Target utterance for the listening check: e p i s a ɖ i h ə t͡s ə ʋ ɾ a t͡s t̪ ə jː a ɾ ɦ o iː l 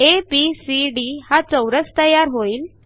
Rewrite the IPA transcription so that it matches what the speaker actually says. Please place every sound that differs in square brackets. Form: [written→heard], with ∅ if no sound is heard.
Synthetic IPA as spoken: e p i s [a→i] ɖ i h [ə→a] t͡s ə [ʋ→w] ɾ [a→ə] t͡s t̪ ə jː a ɾ ɦ o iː l